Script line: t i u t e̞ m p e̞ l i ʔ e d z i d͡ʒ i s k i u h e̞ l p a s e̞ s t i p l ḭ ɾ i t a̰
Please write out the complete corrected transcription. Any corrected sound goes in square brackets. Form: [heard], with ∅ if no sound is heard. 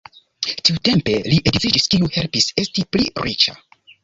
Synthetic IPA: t i u t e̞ m p e̞ l i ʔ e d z i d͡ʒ i s k i u h e̞ l p [i] s e̞ s t i p l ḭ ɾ i [t͡ʃ] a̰

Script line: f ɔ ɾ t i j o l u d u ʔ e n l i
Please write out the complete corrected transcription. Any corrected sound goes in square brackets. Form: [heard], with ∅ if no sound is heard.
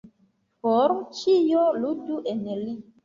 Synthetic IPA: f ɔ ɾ [t͡ʃ] i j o l u d u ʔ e n l i

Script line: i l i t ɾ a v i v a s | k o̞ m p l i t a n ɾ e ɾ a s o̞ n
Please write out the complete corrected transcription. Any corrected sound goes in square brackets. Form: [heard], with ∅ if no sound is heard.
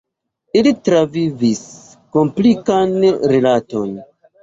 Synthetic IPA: i l i t ɾ a v i v [i] s | k o̞ m p l i [k] a n ɾ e [l] a [t] o̞ n

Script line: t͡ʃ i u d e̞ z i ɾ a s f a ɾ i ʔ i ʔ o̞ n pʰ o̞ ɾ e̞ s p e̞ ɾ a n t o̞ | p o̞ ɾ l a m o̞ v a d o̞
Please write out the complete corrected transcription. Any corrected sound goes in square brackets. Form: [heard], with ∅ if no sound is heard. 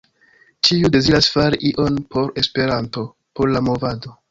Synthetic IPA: t͡ʃ i u d e̞ z i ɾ a s f a ɾ i ʔ i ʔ o̞ n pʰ o̞ ɾ e̞ s p e̞ ɾ a n t o̞ | p o̞ ɾ l a m o̞ v a d o̞

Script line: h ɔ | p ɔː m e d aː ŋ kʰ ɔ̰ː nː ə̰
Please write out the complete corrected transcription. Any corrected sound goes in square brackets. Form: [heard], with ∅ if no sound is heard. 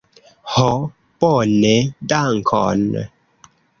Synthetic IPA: h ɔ | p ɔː [n] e d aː ŋ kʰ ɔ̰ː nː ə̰

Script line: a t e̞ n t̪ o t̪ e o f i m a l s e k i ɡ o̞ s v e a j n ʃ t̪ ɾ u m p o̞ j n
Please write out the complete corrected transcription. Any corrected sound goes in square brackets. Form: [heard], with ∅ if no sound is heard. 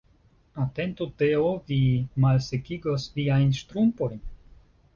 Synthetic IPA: a t e̞ n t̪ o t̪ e o [v] i m a l s e k i ɡ o̞ s v [i] a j n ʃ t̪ ɾ u m p o̞ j n

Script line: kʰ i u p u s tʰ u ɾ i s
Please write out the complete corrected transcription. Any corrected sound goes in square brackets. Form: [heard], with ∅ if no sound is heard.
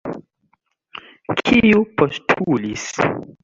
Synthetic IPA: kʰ i u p [o] s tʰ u [l] i s

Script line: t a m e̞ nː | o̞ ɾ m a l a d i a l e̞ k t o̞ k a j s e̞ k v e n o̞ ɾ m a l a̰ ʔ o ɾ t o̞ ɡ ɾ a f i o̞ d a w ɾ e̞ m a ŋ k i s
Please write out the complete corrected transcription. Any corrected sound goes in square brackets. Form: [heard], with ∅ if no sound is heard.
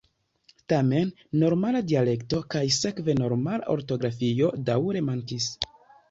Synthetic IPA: t a m e̞ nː | o̞ ɾ m a l a d i a l e̞ k t o̞ k a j s e̞ k v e n o̞ ɾ m a l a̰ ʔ o ɾ t o̞ ɡ ɾ a f i o̞ d a w ɾ e̞ m a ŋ k i s

